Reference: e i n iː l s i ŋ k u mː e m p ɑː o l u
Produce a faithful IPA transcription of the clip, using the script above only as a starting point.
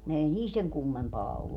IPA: e i n iː l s e ŋ k u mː e m p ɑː o lː u